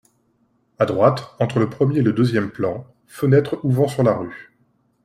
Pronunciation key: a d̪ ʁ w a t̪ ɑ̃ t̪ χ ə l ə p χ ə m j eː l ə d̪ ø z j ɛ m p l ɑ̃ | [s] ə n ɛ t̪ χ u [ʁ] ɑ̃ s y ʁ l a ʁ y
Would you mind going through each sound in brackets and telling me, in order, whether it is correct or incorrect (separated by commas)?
incorrect, incorrect